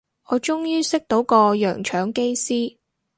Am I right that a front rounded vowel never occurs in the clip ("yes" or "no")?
no